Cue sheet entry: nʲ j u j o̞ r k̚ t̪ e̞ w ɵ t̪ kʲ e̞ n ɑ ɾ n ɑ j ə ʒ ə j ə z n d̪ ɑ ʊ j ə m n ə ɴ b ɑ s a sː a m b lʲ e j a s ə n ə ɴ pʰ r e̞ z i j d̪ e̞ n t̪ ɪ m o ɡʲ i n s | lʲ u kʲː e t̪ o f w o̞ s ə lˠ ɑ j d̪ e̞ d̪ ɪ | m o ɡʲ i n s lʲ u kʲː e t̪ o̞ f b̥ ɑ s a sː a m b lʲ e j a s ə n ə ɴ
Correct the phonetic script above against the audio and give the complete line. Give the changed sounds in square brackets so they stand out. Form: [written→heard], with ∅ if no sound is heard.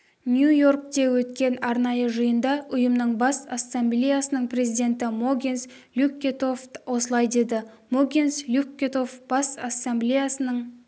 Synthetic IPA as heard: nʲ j u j o̞ r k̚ t̪ e̞ w ɵ t̪ kʲ e̞ n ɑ ɾ n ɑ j ə ʒ ə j ə [z→∅] n d̪ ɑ ʊ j ə m n ə ɴ b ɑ s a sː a m b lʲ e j a s ə n ə ɴ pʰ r e̞ z i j d̪ e̞ n t̪ ɪ m o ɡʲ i n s | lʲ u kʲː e t̪ o f w o̞ s ə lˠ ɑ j d̪ e̞ d̪ ɪ | m o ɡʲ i n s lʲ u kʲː e t̪ o̞ f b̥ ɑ s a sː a m b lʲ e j a s ə n ə ɴ